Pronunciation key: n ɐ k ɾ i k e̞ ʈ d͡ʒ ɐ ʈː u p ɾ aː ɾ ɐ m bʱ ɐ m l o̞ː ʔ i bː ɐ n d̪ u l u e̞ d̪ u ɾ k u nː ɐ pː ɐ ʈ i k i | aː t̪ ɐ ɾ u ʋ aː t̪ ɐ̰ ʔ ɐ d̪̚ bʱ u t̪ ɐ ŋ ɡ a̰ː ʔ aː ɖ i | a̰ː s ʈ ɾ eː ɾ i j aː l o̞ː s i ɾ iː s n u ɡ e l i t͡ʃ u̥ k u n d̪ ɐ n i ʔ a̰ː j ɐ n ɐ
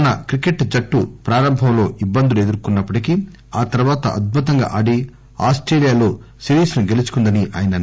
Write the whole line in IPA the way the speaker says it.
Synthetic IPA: n ɐ k ɾ i k e̞ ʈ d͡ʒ ɐ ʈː u p ɾ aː ɾ ɐ m bʱ ɐ m l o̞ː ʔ i bː ɐ n d̪ u l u e̞ d̪ u ɾ k u nː ɐ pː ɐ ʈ i k i | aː t̪ ɐ ɾ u ʋ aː t̪ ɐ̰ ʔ ɐ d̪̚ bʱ u t̪ ɐ ŋ ɡ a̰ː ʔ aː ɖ i | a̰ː s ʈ ɾ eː l i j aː l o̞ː s i ɾ iː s n u ɡ e l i t͡ʃ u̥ k u n d̪ ɐ n i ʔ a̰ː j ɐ n ɐ